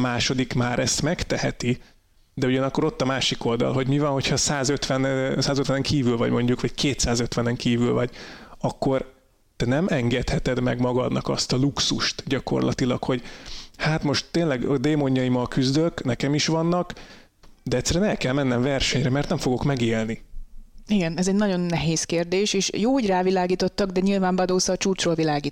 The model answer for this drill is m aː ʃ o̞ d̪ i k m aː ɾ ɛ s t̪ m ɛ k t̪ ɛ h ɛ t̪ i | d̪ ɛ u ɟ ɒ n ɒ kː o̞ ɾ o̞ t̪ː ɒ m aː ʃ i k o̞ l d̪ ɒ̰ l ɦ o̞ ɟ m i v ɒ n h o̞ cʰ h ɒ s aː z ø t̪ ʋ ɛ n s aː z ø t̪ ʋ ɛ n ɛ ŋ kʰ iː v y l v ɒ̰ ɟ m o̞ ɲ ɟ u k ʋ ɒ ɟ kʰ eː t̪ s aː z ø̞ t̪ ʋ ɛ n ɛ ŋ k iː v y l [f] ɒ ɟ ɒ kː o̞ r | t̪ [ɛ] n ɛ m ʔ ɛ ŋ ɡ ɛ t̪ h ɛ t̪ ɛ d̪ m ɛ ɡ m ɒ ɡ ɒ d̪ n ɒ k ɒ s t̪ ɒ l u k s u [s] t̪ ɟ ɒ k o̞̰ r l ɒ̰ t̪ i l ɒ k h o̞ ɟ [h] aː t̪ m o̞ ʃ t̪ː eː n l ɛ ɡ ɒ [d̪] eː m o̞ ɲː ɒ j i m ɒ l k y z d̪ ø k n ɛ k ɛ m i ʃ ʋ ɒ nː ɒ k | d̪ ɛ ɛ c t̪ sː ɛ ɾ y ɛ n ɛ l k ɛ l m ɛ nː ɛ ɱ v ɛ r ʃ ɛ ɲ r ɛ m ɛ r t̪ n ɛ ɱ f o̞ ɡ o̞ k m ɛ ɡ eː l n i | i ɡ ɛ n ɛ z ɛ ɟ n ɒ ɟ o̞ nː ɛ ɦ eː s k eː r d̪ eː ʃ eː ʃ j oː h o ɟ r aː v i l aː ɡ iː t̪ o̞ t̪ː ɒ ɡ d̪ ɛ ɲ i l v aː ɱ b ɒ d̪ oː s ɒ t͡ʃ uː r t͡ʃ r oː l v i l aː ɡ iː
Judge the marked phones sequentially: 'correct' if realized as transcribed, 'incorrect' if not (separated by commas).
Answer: incorrect, correct, incorrect, correct, correct